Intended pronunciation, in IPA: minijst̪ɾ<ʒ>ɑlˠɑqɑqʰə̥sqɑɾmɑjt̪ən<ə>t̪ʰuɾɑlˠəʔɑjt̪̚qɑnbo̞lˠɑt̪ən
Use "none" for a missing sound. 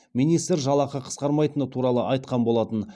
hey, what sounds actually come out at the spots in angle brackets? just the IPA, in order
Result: ʒ, ə

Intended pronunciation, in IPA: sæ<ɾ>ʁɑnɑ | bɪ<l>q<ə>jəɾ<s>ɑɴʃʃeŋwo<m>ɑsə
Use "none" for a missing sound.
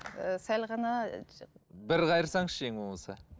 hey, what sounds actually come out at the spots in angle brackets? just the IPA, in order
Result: l, ɾ, ɑ, s, m

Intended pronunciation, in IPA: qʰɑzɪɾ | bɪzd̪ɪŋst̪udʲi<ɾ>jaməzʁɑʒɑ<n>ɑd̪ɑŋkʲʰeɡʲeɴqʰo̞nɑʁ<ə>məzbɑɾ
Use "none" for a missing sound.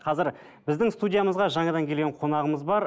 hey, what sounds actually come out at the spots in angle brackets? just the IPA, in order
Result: none, ɴ, ə

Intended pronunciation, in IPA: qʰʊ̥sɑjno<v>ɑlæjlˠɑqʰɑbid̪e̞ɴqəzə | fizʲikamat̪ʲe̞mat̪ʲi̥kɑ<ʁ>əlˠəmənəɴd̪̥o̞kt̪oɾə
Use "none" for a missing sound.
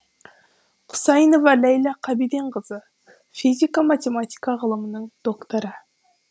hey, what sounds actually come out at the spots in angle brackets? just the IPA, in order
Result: v, ʁ

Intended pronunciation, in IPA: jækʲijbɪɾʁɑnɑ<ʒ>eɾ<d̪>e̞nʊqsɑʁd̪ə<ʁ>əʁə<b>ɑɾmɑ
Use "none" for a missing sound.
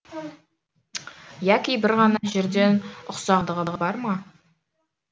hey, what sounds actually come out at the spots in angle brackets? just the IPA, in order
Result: ʒ, d̪, ʁ, b

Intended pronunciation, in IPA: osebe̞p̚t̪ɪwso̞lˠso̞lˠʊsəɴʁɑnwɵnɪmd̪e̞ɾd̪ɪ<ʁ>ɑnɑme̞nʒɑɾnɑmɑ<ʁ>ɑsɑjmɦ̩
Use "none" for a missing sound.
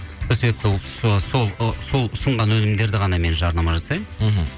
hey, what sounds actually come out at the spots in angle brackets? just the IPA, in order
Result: ʁ, ʒ

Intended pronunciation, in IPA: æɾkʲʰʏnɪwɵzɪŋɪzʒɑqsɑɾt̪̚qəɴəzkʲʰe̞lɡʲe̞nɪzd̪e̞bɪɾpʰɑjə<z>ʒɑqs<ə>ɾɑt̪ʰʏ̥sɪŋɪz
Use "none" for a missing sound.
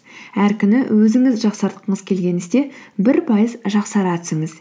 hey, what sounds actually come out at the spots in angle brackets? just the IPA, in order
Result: z, ɑ

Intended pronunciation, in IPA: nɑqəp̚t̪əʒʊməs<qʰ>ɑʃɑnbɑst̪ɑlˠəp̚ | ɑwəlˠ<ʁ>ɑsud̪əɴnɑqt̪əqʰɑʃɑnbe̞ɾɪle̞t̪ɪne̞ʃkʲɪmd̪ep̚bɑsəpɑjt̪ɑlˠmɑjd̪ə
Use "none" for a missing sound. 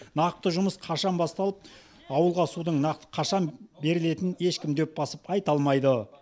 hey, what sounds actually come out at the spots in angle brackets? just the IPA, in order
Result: qʰ, ʁ

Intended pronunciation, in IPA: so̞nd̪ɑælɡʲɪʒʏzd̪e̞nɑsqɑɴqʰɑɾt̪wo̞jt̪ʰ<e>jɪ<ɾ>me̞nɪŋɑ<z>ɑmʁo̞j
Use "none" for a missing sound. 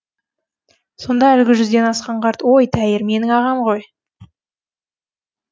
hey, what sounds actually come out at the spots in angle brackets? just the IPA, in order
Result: æ, ɾ, ʁ

